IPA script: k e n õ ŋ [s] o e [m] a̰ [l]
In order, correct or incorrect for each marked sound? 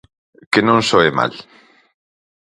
correct, correct, correct

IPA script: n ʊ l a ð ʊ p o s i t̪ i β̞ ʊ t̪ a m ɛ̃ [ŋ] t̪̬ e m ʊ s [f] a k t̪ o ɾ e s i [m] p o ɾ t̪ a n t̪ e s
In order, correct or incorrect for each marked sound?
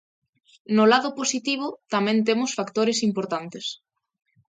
incorrect, correct, correct

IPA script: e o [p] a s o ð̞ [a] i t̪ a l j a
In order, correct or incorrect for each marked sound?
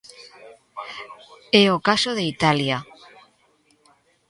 incorrect, incorrect

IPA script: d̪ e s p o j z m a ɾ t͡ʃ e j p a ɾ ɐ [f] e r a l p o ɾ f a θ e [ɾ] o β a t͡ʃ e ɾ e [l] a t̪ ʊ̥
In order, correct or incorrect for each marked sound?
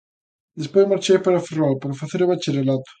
correct, correct, correct

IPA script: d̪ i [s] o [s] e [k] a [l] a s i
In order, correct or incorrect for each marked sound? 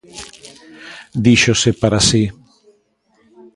incorrect, correct, incorrect, incorrect

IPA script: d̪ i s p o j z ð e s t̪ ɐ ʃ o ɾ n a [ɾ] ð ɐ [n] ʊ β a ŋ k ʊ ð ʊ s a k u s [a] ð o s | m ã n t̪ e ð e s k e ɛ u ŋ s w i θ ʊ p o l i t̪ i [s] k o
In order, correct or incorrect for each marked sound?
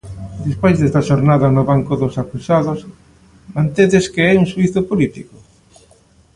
incorrect, correct, correct, incorrect

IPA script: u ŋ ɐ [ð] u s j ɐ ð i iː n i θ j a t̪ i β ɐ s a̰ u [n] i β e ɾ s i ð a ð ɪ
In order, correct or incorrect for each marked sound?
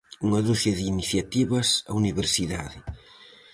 correct, correct

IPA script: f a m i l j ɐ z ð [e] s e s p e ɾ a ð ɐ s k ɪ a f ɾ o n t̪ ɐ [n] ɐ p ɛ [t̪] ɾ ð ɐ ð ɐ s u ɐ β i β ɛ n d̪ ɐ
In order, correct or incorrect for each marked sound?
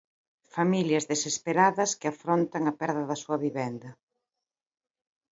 correct, incorrect, incorrect

